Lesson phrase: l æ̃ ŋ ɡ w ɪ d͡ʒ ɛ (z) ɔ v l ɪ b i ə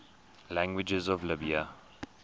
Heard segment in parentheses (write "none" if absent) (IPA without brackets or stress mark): z